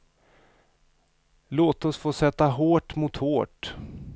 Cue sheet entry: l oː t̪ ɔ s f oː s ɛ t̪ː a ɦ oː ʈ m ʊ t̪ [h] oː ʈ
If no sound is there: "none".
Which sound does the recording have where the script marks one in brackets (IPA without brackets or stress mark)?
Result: h